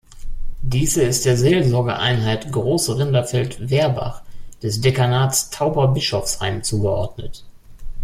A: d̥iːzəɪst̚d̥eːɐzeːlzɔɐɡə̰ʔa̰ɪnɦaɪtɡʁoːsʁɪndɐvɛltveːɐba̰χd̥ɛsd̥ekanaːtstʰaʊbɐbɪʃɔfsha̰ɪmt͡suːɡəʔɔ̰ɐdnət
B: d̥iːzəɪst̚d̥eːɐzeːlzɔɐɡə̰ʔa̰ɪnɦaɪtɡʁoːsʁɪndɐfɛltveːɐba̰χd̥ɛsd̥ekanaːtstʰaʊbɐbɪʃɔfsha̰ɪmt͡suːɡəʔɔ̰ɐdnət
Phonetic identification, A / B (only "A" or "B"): B